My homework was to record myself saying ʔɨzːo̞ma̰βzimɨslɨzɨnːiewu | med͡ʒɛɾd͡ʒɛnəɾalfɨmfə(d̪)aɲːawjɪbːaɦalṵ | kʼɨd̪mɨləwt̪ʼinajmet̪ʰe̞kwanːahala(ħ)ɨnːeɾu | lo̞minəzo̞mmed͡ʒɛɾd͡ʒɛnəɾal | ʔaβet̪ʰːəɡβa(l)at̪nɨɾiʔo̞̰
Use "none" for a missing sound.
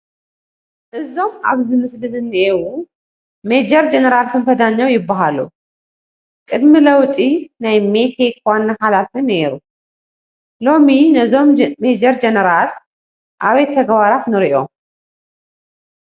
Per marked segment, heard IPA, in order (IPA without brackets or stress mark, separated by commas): d̪, f, ɾ